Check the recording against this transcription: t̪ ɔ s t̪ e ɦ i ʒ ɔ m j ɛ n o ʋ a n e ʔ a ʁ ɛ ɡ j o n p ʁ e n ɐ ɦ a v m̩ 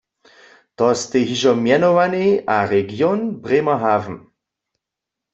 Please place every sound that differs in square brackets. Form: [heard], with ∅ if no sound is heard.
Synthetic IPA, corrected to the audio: t̪ ɔ s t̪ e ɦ i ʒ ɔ m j ɛ n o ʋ a n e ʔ a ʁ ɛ ɡ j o n [b] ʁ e [m] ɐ ɦ a v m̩